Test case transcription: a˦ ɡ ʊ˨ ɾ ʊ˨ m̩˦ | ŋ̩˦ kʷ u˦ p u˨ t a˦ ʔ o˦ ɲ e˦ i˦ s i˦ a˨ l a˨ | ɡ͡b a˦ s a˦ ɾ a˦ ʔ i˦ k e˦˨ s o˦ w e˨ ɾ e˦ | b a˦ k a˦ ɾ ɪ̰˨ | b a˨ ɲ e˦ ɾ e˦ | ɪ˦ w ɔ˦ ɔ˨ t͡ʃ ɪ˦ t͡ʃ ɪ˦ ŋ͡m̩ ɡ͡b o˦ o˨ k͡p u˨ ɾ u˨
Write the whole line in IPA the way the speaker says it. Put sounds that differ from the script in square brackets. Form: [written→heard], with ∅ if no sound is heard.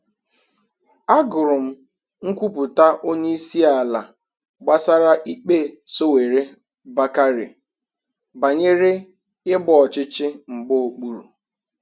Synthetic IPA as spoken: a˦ ɡ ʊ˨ ɾ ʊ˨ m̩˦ | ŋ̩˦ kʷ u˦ p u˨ t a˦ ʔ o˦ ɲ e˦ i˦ s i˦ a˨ l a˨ | ɡ͡b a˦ s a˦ ɾ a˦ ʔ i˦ [k→k͡p] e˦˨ s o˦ w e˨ ɾ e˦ | b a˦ k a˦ ɾ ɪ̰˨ | b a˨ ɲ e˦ ɾ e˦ | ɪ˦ [w→b] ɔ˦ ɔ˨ t͡ʃ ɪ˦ t͡ʃ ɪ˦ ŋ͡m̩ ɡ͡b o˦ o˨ k͡p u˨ ɾ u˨